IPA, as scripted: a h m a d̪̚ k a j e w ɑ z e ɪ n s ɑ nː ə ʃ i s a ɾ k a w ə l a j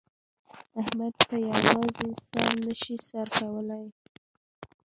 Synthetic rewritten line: a h m a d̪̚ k a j a w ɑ z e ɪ n s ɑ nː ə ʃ i s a ɾ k a w ə l a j